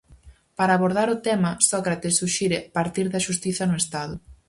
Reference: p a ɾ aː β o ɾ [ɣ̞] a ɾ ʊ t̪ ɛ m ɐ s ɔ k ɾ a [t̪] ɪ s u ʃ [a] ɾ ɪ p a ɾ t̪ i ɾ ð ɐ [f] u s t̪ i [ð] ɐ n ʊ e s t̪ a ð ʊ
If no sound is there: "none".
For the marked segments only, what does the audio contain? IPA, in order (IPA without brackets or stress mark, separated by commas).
ð̞, t̪, i, ʃ, θ